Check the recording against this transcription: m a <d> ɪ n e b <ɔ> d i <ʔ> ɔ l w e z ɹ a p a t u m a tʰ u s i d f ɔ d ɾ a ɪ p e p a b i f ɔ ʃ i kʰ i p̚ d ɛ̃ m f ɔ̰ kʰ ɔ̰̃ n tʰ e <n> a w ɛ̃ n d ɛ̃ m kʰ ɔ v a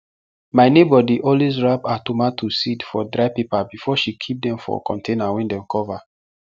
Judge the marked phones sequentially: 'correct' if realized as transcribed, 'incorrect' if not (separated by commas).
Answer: incorrect, correct, correct, correct